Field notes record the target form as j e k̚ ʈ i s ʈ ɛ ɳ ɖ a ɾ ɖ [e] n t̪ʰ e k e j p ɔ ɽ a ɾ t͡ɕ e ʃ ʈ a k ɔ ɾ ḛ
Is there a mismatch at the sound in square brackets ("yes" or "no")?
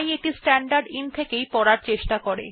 yes